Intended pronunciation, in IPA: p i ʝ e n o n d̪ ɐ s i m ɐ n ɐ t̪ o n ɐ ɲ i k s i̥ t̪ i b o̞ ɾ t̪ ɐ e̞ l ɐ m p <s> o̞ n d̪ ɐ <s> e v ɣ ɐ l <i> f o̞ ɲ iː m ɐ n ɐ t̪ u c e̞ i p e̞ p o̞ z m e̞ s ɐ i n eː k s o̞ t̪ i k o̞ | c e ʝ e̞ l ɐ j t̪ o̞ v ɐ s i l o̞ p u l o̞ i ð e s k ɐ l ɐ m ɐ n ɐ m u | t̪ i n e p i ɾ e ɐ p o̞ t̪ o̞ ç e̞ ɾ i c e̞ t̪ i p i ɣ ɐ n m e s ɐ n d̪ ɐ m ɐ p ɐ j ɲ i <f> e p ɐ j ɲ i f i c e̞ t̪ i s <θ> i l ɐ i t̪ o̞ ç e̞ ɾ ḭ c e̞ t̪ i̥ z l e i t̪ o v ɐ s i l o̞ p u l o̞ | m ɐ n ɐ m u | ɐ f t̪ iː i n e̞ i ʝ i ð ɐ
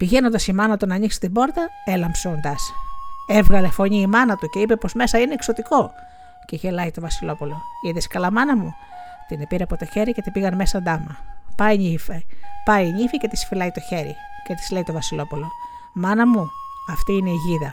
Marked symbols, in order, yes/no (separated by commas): yes, yes, no, yes, no